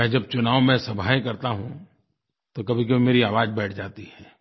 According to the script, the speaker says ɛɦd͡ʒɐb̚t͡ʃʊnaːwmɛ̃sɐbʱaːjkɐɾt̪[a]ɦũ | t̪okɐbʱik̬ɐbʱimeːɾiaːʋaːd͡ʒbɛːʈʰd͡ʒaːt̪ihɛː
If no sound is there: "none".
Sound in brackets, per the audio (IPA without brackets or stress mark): a